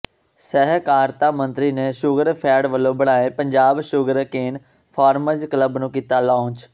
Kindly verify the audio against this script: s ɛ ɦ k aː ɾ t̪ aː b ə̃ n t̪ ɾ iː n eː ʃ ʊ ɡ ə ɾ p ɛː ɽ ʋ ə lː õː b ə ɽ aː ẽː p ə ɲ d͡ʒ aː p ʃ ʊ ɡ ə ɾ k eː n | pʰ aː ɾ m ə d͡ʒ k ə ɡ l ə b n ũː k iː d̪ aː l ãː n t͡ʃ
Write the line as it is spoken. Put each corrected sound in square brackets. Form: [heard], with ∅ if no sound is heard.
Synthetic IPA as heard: s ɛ ɦ k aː ɾ t̪ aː [m] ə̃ n t̪ ɾ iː n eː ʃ ʊ ɡ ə ɾ [pʰ] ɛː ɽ ʋ ə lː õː b ə ɽ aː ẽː p ə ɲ d͡ʒ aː [b] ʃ ʊ ɡ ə ɾ k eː n | pʰ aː ɾ m ə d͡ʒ k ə [∅] l ə b n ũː k iː [t̪] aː l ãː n t͡ʃ